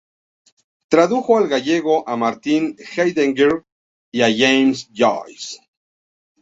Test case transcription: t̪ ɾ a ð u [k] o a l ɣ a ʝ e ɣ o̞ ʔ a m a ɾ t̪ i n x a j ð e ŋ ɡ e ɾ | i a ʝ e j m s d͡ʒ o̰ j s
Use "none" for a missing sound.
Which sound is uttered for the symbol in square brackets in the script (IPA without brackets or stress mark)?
x